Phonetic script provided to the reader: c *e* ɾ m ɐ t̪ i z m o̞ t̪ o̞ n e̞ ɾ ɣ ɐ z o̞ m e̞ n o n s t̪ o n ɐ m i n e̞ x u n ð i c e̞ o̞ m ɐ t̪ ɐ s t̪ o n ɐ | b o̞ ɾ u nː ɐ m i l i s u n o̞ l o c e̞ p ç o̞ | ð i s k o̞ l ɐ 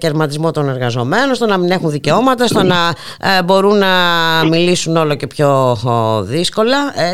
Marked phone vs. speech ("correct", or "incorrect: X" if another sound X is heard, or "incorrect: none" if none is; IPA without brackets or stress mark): correct